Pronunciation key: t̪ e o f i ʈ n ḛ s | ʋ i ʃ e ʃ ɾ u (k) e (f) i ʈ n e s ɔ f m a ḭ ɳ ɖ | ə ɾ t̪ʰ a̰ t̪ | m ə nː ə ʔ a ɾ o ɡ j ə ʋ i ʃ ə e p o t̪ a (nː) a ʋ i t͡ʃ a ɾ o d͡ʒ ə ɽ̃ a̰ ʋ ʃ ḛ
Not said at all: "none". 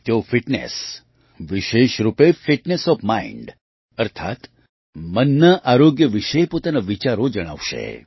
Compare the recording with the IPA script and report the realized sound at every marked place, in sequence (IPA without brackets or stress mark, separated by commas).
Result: p, f, n